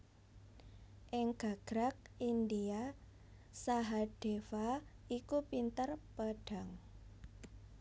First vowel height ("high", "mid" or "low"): high